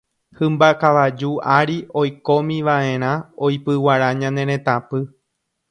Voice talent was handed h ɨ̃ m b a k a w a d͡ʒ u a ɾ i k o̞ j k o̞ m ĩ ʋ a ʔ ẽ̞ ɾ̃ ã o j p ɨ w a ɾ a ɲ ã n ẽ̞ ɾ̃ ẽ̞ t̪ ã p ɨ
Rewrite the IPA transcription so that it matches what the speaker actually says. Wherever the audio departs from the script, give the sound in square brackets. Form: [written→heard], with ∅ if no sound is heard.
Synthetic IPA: h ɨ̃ m b a k a [w→ʋ] a d͡ʒ u a ɾ i [k→∅] o̞ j k o̞ m ĩ ʋ a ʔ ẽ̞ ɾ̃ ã o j p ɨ w a ɾ a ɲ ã n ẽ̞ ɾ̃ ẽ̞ t̪ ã p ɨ

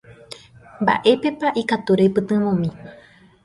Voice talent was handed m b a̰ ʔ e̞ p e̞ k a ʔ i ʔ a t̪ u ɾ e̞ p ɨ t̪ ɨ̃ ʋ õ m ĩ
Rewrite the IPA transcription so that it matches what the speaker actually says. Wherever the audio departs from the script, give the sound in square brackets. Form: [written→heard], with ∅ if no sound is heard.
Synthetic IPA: m b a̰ ʔ e̞ p e̞ [k→p] a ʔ i [ʔ→k] a t̪ u ɾ e̞ p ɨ t̪ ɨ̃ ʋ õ m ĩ

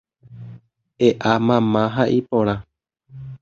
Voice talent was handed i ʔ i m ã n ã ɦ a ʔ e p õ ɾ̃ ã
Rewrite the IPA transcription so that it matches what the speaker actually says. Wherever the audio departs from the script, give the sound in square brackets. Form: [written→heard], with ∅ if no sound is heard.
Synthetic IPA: [i→e] ʔ [i→a] m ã [n→m] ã ɦ a ʔ [e→i] p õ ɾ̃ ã

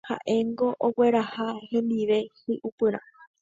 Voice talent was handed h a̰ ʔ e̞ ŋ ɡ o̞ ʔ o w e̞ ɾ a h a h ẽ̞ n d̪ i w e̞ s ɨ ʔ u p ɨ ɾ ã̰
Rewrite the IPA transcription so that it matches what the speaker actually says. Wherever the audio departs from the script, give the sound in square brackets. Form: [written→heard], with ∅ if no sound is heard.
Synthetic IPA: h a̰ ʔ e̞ ŋ ɡ o̞ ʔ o w e̞ ɾ a h a h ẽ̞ n d̪ i [w→ʋ] e̞ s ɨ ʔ u p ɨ ɾ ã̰

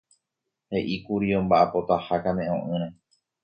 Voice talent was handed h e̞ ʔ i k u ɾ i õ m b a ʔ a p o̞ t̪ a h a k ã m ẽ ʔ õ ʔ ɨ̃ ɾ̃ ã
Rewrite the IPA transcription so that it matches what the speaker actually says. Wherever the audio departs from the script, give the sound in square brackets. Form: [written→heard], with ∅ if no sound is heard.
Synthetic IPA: h e̞ ʔ i k u ɾ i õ m b a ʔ a p o̞ t̪ a h a k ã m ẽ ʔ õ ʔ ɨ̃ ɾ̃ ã

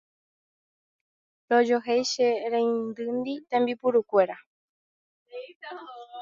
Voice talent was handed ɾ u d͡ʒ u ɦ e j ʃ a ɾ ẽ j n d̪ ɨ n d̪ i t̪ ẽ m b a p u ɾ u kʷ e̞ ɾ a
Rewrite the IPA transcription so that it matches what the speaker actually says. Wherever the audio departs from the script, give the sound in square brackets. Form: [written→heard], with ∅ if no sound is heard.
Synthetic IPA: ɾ [u→o] d͡ʒ [u→o] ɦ e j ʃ [a→e] ɾ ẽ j n d̪ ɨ n d̪ i t̪ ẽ m b [a→i] p u ɾ u kʷ e̞ ɾ a

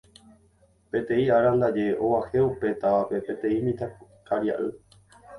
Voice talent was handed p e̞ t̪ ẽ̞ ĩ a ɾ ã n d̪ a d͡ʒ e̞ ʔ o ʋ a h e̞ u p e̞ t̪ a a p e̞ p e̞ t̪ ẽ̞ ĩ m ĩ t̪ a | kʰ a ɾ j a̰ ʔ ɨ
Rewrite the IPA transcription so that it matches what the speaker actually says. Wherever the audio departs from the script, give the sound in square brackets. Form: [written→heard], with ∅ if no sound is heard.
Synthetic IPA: p e̞ t̪ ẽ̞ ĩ a ɾ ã n d̪ a d͡ʒ e̞ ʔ o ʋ a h e̞ u p e̞ t̪ a a p e̞ p e̞ t̪ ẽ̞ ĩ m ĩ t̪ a | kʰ a ɾ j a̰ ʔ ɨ

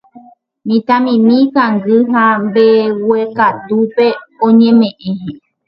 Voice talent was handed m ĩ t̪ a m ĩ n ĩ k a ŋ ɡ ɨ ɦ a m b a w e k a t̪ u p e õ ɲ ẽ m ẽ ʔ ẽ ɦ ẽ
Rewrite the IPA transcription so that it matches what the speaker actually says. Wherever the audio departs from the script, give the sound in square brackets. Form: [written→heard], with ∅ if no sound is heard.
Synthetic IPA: m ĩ t̪ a m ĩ [n→m] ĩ k a ŋ ɡ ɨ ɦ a m b [a→e] w e k a t̪ u p e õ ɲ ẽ m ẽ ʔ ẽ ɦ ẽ

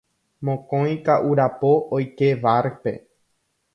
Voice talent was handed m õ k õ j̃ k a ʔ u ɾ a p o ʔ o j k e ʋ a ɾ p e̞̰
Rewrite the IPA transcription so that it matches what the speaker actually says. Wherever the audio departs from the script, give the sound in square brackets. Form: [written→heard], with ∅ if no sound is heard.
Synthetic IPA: m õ k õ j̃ k a ʔ u ɾ a p o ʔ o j k e ʋ a ɾ p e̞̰

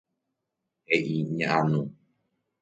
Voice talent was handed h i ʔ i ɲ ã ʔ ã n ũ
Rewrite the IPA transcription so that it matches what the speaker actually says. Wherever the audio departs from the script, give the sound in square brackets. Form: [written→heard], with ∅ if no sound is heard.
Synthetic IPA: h [i→e] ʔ i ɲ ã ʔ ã n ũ

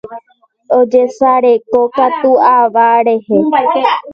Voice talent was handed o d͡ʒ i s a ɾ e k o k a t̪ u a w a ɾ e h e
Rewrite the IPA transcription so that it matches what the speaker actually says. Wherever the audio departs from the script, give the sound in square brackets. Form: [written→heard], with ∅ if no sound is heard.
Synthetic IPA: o d͡ʒ [i→e] s a ɾ e k o k a t̪ u a [w→ʋ] a ɾ e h e

